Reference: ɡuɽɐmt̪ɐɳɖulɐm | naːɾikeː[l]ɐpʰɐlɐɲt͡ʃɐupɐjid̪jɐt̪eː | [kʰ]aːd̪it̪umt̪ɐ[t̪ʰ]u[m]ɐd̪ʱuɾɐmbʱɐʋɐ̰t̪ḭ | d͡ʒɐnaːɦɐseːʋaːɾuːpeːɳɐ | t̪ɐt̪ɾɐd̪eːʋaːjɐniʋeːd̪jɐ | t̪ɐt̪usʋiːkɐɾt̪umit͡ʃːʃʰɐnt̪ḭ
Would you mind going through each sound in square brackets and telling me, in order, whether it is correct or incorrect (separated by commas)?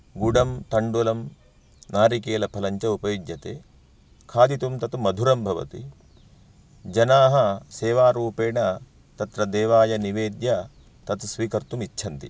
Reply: correct, correct, incorrect, correct